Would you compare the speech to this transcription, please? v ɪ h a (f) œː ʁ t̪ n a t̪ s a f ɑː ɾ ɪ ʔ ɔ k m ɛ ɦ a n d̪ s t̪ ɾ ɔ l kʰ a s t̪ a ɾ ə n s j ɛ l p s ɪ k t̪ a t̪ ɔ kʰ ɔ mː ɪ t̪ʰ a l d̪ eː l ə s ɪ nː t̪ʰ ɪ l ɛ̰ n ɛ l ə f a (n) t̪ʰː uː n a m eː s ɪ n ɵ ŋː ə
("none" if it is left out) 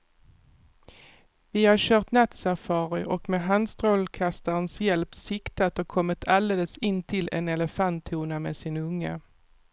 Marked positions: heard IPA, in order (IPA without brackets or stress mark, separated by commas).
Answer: ɕ, n